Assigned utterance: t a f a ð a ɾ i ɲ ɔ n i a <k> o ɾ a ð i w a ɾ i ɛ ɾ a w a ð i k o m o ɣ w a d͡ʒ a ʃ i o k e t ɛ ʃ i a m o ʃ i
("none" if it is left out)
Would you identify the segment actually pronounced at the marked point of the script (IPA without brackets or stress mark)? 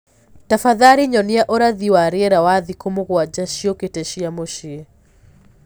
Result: ʔ